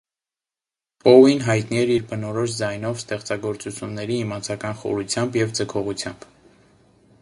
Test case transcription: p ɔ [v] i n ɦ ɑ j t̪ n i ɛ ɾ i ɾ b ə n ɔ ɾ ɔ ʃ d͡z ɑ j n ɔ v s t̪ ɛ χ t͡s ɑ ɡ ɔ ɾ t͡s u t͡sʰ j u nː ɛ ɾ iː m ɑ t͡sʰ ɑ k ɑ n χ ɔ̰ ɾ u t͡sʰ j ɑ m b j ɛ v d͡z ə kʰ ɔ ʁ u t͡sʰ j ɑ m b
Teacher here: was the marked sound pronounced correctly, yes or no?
no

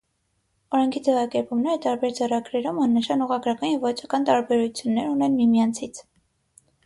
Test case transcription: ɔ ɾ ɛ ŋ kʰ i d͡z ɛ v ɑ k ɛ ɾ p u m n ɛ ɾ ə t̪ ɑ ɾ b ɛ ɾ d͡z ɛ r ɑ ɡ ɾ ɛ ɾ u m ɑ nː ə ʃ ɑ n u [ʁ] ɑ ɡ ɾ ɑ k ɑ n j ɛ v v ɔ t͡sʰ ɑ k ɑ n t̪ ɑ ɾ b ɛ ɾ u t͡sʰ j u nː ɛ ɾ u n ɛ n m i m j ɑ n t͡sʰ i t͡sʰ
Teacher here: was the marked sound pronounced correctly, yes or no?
yes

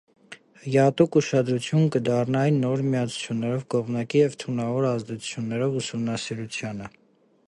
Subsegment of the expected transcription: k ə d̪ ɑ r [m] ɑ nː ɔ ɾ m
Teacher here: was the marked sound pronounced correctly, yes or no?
no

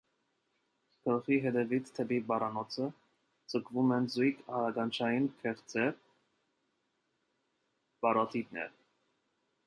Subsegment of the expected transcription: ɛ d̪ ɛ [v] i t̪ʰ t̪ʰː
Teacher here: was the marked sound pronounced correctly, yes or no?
yes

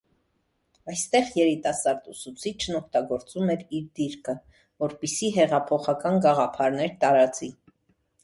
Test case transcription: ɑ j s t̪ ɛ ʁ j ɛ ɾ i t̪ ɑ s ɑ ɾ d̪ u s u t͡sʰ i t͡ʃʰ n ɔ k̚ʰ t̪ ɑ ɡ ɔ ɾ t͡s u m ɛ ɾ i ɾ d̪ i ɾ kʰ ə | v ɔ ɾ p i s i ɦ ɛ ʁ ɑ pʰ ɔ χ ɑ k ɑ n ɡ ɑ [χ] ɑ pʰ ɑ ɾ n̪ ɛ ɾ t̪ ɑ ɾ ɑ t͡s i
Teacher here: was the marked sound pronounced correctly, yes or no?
no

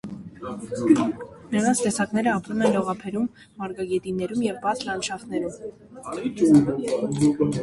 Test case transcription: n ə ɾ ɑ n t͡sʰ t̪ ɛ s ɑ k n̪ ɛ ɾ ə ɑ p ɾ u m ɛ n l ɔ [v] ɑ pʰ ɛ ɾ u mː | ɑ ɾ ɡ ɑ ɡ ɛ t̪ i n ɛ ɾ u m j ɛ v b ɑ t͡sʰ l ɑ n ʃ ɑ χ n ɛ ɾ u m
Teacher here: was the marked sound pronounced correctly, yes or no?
no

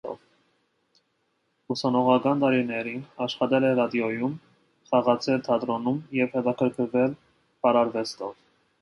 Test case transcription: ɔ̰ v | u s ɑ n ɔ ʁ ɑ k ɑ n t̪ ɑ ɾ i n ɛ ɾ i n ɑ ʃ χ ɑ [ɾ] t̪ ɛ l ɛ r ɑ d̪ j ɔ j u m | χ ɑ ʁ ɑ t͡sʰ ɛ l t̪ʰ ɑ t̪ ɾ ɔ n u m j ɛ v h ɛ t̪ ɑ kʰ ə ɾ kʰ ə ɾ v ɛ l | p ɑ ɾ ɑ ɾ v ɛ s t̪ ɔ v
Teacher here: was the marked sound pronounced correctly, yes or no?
no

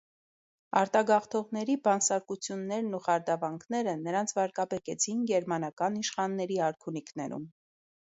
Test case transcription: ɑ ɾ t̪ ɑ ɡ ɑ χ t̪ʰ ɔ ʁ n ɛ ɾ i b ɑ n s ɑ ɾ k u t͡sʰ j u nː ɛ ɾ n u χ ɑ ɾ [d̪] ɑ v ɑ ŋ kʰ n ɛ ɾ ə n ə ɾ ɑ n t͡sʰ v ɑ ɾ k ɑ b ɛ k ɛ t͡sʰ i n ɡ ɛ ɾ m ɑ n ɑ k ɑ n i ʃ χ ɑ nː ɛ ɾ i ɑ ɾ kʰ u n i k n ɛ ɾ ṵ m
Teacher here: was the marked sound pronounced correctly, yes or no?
yes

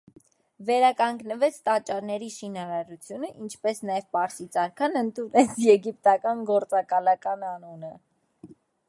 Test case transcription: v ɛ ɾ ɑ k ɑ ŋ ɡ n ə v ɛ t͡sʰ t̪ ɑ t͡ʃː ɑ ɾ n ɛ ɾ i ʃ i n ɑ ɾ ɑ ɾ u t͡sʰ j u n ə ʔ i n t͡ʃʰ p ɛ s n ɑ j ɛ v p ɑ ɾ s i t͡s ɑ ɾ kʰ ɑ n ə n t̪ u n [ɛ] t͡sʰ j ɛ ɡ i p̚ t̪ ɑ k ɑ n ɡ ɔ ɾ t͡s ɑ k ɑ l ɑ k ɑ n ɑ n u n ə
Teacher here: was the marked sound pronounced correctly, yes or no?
yes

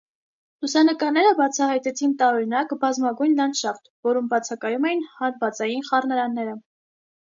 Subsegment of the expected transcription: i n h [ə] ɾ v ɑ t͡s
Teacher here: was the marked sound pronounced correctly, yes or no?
no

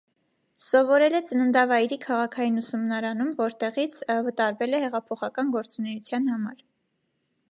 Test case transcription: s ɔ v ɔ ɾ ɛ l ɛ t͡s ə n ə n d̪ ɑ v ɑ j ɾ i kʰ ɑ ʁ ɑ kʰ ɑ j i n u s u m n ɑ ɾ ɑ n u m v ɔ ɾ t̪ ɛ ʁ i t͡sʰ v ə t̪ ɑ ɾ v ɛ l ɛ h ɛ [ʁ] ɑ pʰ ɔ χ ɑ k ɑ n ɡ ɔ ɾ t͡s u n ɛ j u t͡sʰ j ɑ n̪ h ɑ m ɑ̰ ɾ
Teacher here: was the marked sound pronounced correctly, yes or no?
yes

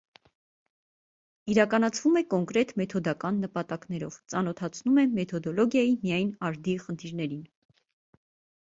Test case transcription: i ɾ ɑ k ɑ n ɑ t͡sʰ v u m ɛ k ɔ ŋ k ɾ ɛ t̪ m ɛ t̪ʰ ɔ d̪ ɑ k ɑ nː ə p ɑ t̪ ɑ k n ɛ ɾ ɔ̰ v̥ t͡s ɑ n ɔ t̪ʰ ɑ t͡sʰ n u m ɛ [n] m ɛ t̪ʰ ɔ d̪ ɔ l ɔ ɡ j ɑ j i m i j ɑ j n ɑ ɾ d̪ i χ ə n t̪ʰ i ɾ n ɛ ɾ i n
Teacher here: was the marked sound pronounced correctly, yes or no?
no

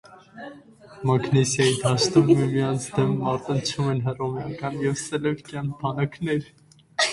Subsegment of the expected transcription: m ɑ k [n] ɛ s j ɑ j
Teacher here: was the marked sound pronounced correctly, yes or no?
yes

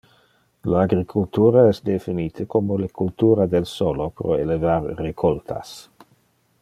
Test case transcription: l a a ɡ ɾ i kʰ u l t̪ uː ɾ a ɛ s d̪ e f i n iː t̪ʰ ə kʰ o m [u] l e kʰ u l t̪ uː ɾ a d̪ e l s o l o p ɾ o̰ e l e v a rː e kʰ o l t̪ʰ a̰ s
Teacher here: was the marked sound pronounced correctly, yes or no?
no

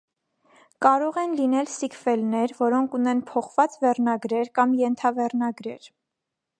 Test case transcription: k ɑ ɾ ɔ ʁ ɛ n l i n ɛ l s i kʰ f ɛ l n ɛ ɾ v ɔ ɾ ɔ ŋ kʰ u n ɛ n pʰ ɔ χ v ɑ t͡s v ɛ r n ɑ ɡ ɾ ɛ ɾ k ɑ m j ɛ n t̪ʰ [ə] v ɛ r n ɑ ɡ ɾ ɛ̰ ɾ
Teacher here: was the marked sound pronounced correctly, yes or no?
no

